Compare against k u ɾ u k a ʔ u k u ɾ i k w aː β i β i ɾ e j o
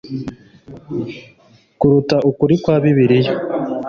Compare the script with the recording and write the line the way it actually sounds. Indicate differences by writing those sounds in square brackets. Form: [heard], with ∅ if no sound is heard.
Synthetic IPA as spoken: k u ɾ u [t] a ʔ u k u ɾ i k w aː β i β i ɾ [i] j o